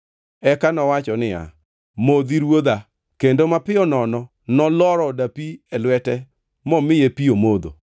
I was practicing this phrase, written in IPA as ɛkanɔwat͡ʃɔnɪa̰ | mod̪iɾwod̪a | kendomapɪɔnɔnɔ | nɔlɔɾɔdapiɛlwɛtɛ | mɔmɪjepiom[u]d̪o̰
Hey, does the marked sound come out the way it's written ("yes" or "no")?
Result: no